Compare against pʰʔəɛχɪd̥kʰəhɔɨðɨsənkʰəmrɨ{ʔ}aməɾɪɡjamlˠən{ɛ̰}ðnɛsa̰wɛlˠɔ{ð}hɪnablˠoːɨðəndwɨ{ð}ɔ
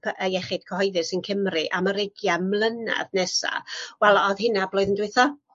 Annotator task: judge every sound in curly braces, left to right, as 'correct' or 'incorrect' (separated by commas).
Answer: correct, incorrect, correct, incorrect